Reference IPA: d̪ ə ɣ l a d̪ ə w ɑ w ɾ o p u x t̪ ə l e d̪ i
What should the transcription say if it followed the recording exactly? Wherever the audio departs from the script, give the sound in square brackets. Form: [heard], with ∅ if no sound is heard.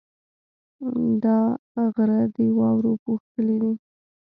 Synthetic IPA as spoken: d̪ [ɑ] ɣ [ɾ] a d̪ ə w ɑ w ɾ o p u x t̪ ə l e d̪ i